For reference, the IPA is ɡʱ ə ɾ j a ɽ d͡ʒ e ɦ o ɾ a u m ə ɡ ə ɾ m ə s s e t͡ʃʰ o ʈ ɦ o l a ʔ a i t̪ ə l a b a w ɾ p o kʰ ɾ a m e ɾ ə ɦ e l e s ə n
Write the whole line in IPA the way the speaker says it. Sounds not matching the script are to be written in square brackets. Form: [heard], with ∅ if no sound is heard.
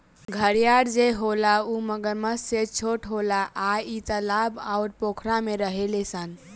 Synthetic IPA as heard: ɡʱ ə ɾ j a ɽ d͡ʒ e ɦ o [l] a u m ə ɡ ə ɾ m ə s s e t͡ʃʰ o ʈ ɦ o l a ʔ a i t̪ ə l a b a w ɾ p o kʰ ɾ a m e ɾ ə ɦ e l e s ə n